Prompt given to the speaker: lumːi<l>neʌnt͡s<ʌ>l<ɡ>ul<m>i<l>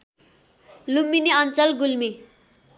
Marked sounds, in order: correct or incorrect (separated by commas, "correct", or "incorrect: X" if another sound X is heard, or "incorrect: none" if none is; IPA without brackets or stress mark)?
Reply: incorrect: none, correct, correct, correct, incorrect: none